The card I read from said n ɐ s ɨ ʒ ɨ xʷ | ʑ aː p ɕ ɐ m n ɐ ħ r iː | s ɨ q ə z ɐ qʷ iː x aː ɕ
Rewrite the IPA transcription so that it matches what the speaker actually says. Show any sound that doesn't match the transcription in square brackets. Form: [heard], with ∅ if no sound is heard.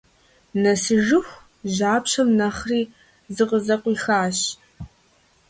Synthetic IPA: n ɐ s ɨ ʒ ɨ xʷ | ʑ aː p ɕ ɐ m n ɐ [χ] r iː | [z] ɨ q ə z ɐ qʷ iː x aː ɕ